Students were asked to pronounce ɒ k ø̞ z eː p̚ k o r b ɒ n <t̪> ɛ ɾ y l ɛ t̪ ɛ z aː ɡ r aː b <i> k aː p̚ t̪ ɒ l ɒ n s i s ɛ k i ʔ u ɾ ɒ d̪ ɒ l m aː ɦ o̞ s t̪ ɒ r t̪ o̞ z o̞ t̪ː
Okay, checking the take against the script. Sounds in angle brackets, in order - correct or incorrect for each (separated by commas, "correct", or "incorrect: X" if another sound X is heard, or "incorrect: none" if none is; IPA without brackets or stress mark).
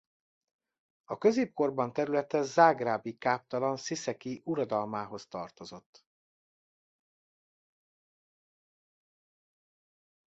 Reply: correct, correct